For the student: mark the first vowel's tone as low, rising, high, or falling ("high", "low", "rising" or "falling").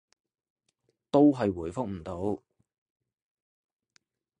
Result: high